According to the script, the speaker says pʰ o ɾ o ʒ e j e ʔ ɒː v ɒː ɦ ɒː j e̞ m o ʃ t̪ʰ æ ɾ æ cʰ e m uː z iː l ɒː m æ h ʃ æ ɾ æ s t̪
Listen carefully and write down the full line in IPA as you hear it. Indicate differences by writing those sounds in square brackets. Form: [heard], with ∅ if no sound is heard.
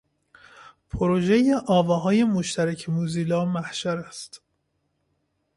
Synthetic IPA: pʰ o ɾ o ʒ e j e ʔ ɒː v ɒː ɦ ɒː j e̞ m o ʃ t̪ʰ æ ɾ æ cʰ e m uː z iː l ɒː m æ h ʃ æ ɾ æ s t̪